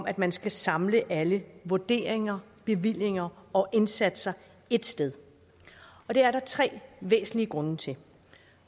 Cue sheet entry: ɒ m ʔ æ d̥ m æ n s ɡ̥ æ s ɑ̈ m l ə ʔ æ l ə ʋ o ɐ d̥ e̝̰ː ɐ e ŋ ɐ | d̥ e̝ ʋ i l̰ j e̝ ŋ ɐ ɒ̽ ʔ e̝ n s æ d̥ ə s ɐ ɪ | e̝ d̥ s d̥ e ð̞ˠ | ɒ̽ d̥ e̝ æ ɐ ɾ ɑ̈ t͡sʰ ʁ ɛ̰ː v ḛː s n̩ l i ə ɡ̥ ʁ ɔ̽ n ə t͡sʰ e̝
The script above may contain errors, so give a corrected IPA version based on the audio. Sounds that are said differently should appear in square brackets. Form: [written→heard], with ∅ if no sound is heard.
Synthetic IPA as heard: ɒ m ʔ æ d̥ m æ n s ɡ̥ æ s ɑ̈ m l ə ʔ æ l ə ʋ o ɐ d̥ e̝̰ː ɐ e ŋ ɐ | [d̥→b̥] e̝ ʋ i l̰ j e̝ ŋ ɐ ɒ̽ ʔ e̝ n s æ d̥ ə s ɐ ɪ | e̝ d̥ s d̥ e ð̞ˠ | ɒ̽ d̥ e̝ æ ɐ ɾ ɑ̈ t͡sʰ ʁ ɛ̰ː [v→ʋ] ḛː s n̩ l i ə ɡ̥ ʁ ɔ̽ n ə t͡sʰ e̝